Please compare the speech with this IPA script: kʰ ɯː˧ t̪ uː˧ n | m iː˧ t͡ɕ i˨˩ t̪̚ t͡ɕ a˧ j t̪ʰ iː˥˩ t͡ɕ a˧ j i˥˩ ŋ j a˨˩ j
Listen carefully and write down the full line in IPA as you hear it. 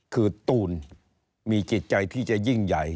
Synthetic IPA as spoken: kʰ ɯː˧ t̪ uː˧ n | m iː˧ t͡ɕ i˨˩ t̪̚ t͡ɕ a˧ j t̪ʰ iː˥˩ t͡ɕ a˨˩ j i˥˩ ŋ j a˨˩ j